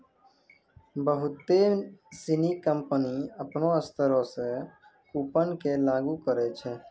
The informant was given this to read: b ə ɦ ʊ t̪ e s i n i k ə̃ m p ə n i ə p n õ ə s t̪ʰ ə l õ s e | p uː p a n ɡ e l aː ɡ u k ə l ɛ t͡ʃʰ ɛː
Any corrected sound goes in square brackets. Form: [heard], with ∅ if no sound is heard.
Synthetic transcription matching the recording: b ə ɦ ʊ t̪ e s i n i k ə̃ m p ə n i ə p n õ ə s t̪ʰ ə [ɾ] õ s e | [k] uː p [ə] n [k] e l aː ɡ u k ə [ɾ] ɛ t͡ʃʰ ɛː